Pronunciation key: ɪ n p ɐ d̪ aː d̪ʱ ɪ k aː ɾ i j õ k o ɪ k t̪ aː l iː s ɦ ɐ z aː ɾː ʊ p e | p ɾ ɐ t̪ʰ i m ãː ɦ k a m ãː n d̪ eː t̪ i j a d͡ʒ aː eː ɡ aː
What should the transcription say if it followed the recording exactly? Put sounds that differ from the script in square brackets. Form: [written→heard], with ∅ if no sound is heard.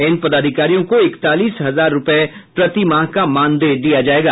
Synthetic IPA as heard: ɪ n p ɐ d̪ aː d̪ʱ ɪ k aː ɾ i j õ k o ɪ k t̪ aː l iː s ɦ ɐ z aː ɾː ʊ p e | p ɾ ɐ [t̪ʰ→t̪] i m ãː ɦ k a m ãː n d̪ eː [t̪→d̪] i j a d͡ʒ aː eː ɡ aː